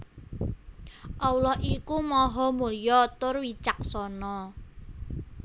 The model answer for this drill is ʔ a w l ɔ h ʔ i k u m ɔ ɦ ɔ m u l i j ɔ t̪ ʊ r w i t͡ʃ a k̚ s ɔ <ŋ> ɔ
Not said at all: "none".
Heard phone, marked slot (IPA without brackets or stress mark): n